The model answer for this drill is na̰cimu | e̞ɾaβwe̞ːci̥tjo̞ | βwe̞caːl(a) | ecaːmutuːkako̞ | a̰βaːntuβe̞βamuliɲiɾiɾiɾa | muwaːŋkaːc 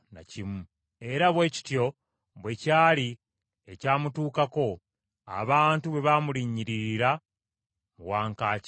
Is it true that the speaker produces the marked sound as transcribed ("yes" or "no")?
no